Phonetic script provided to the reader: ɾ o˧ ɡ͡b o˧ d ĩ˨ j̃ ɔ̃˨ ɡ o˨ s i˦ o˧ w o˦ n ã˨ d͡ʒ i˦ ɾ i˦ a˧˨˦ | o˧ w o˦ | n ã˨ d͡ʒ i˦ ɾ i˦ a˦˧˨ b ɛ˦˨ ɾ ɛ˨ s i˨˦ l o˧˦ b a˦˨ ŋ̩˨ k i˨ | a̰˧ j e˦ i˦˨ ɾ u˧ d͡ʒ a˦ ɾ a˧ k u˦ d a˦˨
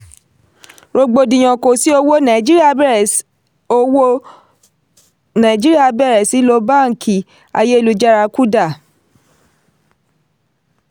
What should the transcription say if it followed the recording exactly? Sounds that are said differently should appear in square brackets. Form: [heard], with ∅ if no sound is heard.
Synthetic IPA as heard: ɾ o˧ ɡ͡b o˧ d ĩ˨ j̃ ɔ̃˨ [k] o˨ s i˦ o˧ w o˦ n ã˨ d͡ʒ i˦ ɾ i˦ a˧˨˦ | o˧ w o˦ | n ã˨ d͡ʒ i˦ ɾ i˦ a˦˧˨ b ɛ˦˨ ɾ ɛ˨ s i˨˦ l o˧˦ b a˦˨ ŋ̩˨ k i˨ | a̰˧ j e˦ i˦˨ [l] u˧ d͡ʒ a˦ ɾ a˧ k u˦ d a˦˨